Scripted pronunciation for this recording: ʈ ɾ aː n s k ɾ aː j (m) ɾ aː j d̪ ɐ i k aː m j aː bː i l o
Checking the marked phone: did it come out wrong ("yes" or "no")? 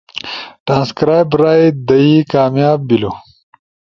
yes